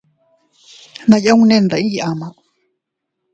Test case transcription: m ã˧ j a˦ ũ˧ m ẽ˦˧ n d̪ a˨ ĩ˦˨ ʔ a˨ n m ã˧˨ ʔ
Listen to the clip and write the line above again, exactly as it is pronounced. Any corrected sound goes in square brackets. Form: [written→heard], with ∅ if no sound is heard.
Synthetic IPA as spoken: [m→n] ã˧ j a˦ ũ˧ [m→n] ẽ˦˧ n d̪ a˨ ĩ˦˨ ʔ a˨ [n→∅] m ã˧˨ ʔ